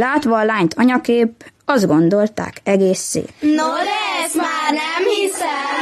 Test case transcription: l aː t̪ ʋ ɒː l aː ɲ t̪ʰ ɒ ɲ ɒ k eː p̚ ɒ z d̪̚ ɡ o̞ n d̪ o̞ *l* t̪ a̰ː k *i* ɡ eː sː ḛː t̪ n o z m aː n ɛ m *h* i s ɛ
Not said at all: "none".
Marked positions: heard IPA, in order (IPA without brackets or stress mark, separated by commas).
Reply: l, ɛ, h